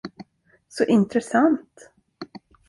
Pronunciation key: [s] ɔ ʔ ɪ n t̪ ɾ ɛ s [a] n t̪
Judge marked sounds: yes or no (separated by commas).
yes, yes